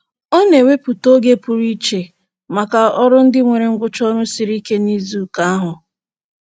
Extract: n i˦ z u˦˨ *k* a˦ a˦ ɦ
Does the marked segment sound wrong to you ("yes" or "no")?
no